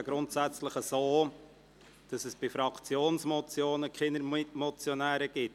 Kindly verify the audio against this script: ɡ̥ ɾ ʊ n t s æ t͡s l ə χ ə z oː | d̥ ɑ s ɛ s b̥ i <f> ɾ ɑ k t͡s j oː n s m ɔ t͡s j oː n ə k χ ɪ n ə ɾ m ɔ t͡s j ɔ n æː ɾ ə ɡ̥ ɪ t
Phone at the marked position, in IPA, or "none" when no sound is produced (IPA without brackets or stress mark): f